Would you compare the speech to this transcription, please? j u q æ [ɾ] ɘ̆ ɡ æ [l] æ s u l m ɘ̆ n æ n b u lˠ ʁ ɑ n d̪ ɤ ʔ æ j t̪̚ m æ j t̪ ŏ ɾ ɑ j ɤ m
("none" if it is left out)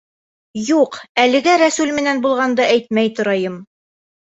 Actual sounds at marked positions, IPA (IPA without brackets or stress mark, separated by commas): l, ɾ